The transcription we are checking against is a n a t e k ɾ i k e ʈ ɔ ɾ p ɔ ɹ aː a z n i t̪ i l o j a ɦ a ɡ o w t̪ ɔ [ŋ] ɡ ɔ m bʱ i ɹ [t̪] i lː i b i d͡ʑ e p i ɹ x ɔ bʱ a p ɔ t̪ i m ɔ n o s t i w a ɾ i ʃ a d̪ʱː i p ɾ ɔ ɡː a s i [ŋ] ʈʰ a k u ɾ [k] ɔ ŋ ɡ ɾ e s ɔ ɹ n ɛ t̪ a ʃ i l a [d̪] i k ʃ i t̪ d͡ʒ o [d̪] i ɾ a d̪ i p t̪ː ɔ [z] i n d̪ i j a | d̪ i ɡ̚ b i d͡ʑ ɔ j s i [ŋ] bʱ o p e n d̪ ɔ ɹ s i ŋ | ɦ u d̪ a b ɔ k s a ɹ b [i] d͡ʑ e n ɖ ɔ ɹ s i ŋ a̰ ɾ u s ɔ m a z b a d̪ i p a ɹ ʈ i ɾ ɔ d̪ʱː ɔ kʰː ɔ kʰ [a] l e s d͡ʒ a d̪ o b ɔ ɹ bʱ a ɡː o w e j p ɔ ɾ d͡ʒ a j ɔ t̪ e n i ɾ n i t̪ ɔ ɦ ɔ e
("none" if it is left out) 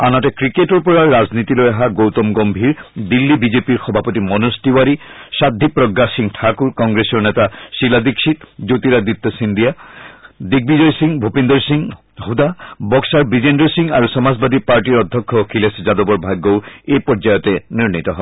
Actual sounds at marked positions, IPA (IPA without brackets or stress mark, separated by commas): m, d̪, ŋ, k, d̪, t̪, s, ŋ, i, i